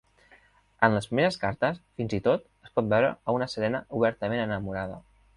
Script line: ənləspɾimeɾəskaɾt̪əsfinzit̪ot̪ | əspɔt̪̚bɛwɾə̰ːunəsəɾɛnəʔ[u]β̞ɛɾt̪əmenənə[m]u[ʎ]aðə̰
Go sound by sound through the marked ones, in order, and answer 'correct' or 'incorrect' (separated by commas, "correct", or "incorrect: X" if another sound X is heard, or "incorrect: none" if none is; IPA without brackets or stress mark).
correct, correct, incorrect: ɾ